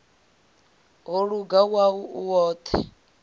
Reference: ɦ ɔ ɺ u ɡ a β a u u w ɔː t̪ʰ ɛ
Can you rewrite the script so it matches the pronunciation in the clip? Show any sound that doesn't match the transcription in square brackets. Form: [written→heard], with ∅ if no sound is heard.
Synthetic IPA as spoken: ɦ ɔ ɺ u ɡ a [β→w] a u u w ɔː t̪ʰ ɛ